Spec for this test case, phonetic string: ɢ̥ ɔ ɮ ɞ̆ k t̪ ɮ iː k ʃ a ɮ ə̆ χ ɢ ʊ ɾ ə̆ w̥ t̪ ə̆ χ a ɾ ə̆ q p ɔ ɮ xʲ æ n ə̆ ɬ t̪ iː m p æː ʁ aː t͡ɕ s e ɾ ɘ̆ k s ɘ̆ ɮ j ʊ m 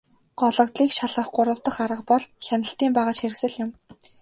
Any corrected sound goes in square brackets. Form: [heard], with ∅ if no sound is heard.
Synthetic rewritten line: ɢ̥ ɔ ɮ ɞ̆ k t̪ ɮ iː k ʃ a ɮ ə̆ χ ɢ ʊ ɾ ə̆ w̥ t̪ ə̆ χ a ɾ ə̆ q p ɔ ɮ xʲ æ n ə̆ ɬ t̪ iː m p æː ʁ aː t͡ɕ [x] e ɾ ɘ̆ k s ɘ̆ ɮ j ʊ m